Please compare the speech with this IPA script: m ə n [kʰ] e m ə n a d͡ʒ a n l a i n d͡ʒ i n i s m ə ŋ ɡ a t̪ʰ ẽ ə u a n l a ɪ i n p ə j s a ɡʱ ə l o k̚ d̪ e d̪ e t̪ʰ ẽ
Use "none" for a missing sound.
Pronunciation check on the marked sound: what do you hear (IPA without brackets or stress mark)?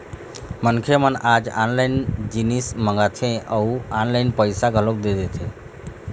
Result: kʰ